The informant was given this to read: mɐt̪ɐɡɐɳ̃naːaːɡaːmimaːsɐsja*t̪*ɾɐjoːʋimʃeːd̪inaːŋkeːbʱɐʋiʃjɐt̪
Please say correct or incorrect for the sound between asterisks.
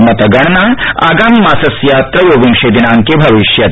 correct